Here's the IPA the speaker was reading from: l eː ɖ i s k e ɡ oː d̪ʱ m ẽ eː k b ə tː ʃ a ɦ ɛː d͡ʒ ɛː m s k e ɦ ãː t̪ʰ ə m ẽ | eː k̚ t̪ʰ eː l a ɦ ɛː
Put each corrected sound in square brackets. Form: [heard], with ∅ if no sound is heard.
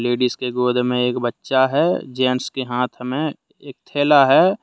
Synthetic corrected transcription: l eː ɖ i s k e ɡ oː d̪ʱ m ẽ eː k b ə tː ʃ a ɦ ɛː d͡ʒ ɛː [n] s k e ɦ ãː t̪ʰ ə m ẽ | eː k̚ t̪ʰ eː l a ɦ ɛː